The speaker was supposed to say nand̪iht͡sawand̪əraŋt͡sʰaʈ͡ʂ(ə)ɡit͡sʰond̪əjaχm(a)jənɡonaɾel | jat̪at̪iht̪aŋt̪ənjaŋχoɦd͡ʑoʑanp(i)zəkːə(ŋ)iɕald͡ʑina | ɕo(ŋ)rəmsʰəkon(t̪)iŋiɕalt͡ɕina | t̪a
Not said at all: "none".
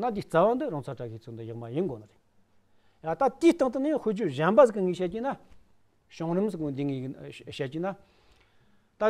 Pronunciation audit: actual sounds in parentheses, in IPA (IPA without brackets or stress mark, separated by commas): a, a, a, ŋ, ŋ, d̪